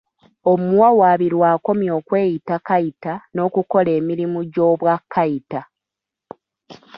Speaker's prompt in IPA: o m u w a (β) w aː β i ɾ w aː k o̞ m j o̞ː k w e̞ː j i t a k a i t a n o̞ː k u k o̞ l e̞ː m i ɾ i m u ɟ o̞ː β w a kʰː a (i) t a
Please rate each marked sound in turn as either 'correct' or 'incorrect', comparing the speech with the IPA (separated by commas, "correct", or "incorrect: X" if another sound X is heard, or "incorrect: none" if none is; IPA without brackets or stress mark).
incorrect: none, correct